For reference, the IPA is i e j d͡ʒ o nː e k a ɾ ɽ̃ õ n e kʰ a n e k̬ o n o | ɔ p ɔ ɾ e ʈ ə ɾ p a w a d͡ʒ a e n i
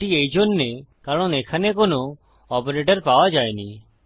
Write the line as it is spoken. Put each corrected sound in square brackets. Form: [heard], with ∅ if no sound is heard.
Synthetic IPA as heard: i e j d͡ʒ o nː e k a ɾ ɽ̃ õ n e kʰ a n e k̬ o n o | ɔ p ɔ ɾ e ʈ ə ɾ p a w a d͡ʒ a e n i